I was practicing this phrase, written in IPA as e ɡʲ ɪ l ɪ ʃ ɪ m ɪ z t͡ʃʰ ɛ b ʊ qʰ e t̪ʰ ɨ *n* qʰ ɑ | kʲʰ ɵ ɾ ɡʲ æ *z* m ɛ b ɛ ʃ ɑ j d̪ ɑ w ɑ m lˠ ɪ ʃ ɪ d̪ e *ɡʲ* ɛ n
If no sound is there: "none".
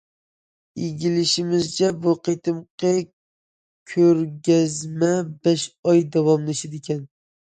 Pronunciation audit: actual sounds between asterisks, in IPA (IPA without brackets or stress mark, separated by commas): m, z, kʲ